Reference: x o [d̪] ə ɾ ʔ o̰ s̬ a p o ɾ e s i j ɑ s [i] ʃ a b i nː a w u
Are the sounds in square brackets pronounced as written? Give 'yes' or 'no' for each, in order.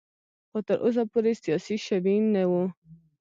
no, yes

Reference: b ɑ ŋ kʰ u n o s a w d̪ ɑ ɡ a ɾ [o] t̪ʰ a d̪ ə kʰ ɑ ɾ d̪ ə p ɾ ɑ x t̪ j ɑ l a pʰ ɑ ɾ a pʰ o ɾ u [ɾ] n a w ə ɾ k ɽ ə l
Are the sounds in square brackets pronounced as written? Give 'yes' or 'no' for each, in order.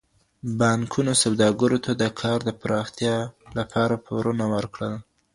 yes, no

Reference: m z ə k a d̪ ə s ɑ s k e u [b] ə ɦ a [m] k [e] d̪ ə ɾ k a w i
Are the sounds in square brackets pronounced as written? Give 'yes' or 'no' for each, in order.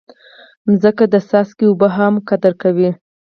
yes, yes, no

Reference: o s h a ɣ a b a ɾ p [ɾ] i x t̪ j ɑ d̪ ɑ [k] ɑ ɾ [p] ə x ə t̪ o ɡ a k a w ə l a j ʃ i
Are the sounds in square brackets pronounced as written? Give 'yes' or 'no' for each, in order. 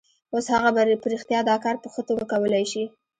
yes, yes, yes

